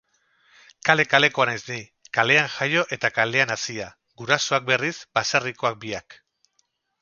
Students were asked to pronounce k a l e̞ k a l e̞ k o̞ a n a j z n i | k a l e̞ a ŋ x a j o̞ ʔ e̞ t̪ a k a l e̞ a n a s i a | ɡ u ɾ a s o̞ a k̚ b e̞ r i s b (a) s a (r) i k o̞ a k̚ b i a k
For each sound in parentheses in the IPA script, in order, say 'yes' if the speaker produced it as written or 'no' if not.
yes, yes

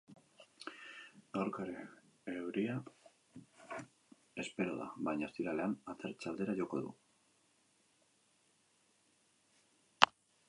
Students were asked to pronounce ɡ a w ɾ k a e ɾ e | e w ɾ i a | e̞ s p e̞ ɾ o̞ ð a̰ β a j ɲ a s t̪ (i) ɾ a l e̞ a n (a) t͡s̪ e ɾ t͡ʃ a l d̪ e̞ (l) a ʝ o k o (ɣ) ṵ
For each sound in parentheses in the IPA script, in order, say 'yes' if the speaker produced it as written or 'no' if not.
yes, yes, no, no

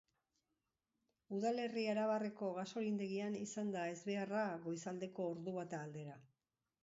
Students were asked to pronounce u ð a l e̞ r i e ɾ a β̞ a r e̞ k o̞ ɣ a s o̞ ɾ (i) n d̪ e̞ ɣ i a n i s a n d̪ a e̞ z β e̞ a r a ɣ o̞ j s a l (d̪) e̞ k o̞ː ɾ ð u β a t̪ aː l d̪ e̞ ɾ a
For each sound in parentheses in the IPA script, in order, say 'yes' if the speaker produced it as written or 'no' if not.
yes, yes

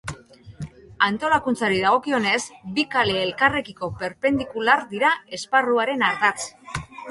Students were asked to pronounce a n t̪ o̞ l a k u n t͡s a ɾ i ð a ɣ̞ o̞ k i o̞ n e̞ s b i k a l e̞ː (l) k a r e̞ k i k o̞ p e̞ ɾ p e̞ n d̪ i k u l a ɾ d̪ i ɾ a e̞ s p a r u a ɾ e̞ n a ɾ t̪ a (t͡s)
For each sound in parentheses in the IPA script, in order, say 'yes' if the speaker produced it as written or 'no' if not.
yes, yes

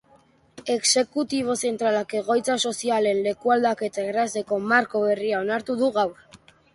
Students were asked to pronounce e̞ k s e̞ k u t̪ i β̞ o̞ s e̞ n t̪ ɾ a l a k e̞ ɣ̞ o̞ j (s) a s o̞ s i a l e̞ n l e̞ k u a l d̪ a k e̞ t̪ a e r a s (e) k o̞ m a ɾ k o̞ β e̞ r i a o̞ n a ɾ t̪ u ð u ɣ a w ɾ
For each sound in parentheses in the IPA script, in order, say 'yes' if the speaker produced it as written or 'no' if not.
no, yes

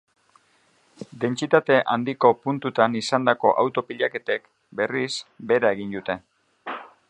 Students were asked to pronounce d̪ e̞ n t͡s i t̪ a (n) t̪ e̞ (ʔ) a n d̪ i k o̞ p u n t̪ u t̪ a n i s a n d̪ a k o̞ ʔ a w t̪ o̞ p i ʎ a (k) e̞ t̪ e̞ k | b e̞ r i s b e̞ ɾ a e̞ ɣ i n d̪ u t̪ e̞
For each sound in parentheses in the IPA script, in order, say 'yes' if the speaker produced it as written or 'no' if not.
no, yes, yes

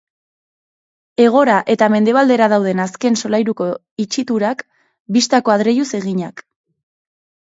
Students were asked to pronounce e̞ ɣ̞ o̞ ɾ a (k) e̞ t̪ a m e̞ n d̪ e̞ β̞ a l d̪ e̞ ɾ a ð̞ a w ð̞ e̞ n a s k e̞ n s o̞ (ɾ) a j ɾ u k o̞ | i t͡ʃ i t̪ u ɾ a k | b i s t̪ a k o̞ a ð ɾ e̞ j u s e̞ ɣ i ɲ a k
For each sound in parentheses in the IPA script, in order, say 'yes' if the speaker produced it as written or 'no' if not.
no, no

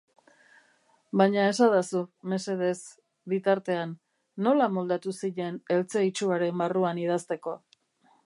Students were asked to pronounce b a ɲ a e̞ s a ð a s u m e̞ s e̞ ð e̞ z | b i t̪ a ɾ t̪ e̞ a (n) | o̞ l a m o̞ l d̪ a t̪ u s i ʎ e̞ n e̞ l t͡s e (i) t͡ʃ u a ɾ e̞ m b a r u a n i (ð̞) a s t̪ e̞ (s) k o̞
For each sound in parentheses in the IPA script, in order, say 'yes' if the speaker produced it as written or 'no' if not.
no, yes, yes, no

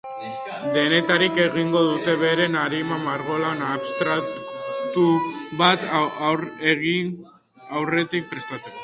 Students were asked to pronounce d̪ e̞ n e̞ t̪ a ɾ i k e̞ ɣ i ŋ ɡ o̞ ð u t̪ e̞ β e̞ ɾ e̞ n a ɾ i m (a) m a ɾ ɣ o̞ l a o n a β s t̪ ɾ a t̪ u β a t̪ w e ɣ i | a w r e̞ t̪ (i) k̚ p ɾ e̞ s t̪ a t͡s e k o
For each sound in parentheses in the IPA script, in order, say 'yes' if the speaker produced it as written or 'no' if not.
yes, yes

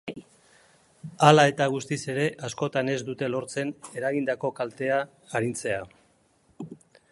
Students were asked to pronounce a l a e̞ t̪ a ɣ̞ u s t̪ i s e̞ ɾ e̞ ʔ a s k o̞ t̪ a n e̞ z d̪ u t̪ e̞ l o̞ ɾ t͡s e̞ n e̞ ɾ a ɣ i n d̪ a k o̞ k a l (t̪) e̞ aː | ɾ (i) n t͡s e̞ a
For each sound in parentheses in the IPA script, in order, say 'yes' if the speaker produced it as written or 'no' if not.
yes, yes

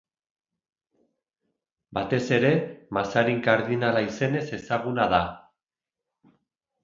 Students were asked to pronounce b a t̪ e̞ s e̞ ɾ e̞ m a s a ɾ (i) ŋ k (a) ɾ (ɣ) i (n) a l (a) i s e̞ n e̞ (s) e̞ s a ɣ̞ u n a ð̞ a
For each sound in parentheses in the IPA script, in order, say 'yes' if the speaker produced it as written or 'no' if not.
yes, yes, no, yes, yes, yes

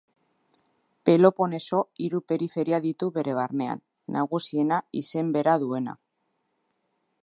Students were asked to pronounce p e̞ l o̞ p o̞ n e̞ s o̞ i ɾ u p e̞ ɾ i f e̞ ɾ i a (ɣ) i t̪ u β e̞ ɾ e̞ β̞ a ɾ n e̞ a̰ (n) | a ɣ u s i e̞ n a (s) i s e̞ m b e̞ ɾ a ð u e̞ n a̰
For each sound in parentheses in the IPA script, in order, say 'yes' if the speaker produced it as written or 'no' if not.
no, no, no

